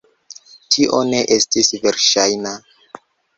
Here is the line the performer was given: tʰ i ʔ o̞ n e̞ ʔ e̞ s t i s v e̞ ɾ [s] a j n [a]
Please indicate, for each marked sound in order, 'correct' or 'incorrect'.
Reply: incorrect, correct

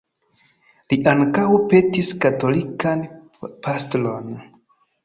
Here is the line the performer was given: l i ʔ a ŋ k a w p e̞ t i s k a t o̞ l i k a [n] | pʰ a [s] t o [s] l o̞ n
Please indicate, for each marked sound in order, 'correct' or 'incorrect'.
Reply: correct, correct, incorrect

